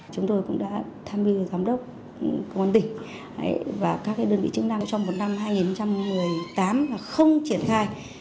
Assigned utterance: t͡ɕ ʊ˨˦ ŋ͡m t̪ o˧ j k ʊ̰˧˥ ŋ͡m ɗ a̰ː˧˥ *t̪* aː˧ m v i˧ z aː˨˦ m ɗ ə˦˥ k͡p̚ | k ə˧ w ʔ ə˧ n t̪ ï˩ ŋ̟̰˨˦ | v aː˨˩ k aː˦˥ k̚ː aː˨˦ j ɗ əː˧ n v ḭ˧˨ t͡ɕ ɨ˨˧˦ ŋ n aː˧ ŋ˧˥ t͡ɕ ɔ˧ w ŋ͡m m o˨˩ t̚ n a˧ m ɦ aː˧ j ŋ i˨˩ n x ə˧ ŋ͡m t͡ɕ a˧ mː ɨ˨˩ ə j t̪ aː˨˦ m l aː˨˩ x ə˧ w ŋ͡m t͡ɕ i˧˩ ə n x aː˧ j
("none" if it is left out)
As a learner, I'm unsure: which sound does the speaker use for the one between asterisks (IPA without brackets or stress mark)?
t̪ʰ